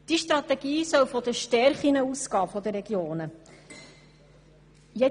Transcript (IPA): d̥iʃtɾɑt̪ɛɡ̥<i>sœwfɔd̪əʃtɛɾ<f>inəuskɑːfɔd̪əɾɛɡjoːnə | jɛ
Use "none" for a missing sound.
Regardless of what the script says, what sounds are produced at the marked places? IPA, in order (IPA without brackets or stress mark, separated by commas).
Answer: iː, χ